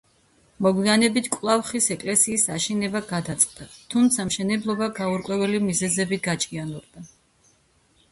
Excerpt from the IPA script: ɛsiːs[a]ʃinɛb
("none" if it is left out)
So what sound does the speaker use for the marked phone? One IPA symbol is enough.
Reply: a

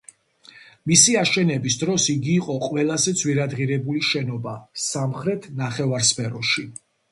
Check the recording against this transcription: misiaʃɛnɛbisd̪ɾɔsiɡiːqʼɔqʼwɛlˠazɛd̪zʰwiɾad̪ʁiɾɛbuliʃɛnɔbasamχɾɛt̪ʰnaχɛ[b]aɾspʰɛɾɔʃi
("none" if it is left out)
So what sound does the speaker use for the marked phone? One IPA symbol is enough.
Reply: v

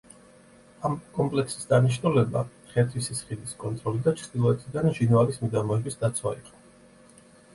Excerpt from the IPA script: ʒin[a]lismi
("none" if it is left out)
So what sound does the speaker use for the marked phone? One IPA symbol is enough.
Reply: a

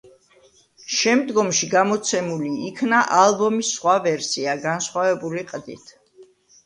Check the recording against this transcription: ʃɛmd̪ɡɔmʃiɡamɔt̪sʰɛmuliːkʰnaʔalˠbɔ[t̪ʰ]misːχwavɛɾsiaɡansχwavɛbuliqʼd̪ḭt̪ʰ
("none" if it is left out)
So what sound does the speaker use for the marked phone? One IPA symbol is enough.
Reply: none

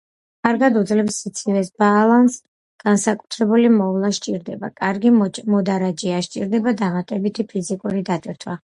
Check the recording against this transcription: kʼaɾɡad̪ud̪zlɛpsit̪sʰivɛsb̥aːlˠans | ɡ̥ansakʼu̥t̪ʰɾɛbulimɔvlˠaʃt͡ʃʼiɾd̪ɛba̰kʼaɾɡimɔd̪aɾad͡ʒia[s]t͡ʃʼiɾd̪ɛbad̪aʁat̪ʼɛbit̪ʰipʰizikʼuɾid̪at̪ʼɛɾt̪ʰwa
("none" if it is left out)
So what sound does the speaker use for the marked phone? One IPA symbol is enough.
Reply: ʃ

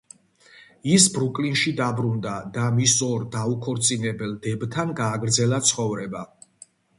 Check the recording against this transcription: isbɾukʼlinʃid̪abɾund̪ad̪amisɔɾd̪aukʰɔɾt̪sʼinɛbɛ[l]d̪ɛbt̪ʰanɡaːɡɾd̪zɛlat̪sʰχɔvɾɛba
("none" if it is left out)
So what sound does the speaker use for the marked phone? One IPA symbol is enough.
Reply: l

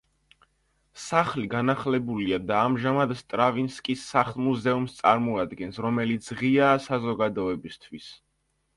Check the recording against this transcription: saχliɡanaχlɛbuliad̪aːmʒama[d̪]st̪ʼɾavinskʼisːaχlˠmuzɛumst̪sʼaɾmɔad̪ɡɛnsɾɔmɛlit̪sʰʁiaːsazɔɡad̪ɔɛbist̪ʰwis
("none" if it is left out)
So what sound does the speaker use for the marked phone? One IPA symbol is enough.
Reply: d̪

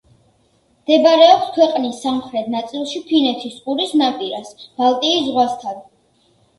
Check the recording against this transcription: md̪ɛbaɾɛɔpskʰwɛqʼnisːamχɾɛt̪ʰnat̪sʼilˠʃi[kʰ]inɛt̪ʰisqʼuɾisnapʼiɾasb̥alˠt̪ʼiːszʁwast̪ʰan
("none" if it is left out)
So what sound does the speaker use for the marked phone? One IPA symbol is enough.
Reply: pʰ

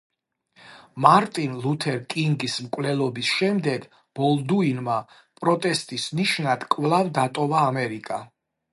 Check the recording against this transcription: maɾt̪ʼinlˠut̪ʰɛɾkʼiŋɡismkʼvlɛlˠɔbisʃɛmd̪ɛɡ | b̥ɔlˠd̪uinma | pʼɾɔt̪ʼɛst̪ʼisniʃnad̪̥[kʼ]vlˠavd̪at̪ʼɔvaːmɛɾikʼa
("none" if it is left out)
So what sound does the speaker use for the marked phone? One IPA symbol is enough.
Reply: kʼ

